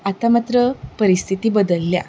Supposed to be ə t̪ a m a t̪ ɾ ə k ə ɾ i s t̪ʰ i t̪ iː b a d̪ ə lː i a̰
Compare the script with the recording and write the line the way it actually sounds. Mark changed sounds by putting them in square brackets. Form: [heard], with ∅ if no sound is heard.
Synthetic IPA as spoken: [a] t̪ a m a t̪ ɾ ə [p] ə ɾ i s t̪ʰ i t̪ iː b [ə] d̪ ə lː [j] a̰